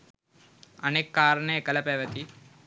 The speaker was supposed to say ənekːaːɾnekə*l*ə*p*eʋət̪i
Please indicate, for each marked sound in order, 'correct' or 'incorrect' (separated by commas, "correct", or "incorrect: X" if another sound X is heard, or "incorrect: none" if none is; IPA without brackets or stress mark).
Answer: correct, correct